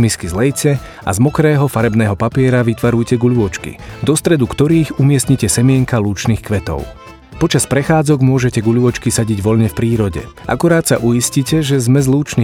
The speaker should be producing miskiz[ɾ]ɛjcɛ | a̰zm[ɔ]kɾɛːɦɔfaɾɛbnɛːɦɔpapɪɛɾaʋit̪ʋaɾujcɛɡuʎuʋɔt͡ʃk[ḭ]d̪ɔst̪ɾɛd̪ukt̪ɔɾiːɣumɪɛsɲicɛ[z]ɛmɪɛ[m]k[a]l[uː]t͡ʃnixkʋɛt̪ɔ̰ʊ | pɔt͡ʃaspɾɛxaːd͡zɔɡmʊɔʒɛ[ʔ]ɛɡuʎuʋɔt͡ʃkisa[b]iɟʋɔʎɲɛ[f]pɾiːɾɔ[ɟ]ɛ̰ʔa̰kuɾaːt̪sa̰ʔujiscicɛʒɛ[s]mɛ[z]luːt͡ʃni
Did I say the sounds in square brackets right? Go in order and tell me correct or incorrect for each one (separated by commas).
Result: incorrect, correct, correct, incorrect, incorrect, correct, correct, incorrect, incorrect, correct, correct, incorrect, correct